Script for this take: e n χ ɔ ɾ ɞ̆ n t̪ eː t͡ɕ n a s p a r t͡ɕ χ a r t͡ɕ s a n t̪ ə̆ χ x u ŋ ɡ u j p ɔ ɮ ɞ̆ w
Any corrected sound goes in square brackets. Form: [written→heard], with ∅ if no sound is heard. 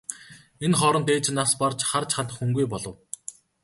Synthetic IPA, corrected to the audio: e n χ ɔ ɾ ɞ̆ n t̪ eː t͡ɕ n a s p a r t͡ɕ χ a r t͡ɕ [s→χ] a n t̪ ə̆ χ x u ŋ ɡ u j p ɔ ɮ ɞ̆ w